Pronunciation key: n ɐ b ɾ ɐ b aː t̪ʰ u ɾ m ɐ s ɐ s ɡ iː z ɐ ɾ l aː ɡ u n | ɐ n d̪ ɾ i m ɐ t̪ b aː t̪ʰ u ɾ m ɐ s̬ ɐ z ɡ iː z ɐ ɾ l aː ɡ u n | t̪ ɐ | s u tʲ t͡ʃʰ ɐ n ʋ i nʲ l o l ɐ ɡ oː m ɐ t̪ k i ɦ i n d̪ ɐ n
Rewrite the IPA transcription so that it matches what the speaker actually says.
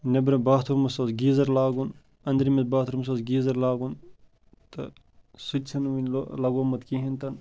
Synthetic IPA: n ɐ b ɾ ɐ b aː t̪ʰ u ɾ m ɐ s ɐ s ɡ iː z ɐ ɾ l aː ɡ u n | ɐ n d̪ ɾ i m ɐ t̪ b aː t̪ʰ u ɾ m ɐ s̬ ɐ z ɡ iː z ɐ ɾ l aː ɡ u n | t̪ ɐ | s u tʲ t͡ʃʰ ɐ n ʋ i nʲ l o l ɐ ɡ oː m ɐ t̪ k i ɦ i n t̪ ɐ n

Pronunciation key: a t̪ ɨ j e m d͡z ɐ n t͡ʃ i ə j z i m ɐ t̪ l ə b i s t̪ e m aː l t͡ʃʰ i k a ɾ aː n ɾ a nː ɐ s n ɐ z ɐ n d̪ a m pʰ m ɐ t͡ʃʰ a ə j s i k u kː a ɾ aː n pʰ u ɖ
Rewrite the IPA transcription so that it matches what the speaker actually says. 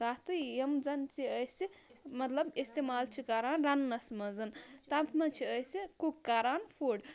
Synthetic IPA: a t̪ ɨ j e m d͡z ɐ n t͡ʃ i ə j s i m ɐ t̪ l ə b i s t̪ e m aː l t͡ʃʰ i k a ɾ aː n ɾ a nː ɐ s m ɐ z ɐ n t̪ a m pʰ m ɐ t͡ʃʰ i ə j s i k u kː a ɾ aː n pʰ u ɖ

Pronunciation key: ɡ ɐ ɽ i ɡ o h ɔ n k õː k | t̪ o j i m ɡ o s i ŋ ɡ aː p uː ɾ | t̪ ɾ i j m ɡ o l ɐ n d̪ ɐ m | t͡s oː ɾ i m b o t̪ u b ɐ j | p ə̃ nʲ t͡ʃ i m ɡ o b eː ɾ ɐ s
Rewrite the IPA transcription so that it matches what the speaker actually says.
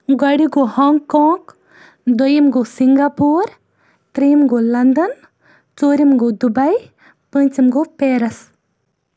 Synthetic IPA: ɡ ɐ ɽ i ɡ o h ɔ ŋ k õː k | d̪ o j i m ɡ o s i ŋ ɡ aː p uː ɾ | t̪ ɾ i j m ɡ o l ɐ n d̪ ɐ n | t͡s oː ɾ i m ɡ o d̪ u b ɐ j | p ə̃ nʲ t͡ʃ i m ɡ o p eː ɾ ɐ s

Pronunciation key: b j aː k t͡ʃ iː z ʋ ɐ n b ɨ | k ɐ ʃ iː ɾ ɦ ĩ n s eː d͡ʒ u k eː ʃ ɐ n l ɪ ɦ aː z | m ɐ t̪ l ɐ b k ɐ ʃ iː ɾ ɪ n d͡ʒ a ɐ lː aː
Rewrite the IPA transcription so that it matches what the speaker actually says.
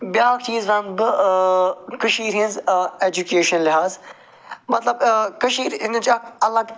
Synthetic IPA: b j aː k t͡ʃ iː z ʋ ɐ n b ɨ | k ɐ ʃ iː ɾ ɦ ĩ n z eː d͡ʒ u k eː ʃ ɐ n l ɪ ɦ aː z | m ɐ t̪ l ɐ b k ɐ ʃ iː ɾ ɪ n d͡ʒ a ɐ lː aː

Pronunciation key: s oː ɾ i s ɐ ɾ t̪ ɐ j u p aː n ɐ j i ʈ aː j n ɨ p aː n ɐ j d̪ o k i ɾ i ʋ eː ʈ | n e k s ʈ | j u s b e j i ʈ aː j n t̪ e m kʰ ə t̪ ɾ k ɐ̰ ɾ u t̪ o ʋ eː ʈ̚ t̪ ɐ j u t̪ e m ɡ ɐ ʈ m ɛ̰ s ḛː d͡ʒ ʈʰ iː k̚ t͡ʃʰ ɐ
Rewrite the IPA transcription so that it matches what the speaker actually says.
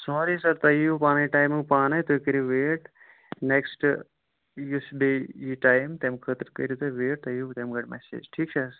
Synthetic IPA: s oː ɾ i s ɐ ɾ t̪ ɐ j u p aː n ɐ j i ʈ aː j m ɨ p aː n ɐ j t̪ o k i ɾ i ʋ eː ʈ | n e k s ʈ | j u s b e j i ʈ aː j m t̪ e m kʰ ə t̪ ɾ k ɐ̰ ɾ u t̪ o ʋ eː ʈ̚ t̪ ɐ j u t̪ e m ɡ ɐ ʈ m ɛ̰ s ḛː d͡ʒ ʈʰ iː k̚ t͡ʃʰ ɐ

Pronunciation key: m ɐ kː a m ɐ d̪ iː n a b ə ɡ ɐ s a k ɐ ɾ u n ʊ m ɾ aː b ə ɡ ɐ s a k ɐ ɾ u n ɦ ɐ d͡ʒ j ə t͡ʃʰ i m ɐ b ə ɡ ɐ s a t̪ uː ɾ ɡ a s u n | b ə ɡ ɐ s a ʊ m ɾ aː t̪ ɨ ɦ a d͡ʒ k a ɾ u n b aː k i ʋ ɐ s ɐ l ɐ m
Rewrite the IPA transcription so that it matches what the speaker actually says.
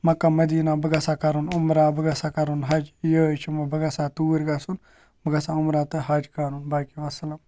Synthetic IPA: m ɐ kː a m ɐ d̪ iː n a b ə ɡ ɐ s a k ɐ ɾ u n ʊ m ɾ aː b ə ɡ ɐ s a k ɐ ɾ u n ɦ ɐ d͡ʒ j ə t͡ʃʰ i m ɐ b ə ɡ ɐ s a t̪ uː ɾ ɡ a s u n | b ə ɡ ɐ s a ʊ m ɾ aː t̪ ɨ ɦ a d͡ʒ k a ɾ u n b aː k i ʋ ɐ s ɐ l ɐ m

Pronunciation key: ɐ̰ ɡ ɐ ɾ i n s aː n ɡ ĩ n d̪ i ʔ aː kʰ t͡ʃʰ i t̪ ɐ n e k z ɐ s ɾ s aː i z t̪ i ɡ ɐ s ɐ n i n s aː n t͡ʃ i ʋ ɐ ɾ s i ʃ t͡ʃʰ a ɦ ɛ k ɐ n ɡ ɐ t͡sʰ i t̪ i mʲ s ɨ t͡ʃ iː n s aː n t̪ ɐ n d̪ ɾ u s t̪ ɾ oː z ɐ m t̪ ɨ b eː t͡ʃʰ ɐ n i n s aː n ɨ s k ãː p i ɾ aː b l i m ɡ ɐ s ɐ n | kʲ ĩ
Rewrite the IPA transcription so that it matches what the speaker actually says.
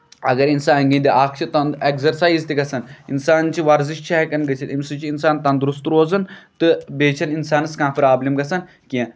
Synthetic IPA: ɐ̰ ɡ ɐ ɾ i n s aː n ɡ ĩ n d̪ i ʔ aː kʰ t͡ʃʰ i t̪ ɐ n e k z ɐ ɾ s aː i z t̪ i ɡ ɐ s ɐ n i n s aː n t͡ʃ i ʋ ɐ ɾ z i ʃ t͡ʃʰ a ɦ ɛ k ɐ n ɡ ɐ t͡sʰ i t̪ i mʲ s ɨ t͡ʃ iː n s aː n t̪ ɐ n d̪ ɾ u s t̪ ɾ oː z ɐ n t̪ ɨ b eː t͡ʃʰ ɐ n i n s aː n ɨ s k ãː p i ɾ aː b l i m ɡ ɐ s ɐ n | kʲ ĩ

